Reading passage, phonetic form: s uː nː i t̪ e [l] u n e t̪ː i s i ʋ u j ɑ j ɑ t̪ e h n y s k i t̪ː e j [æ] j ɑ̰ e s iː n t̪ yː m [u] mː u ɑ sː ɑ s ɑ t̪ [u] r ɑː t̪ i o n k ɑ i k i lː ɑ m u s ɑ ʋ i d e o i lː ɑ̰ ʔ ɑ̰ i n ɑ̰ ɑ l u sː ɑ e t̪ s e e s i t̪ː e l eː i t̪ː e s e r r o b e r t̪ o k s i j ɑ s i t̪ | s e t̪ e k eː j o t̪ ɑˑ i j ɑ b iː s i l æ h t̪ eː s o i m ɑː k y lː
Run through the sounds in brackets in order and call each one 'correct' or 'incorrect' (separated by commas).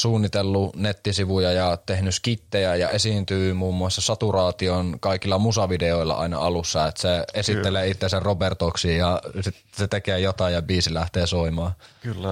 incorrect, correct, incorrect, correct